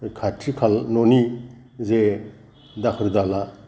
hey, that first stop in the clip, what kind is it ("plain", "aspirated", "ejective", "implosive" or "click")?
aspirated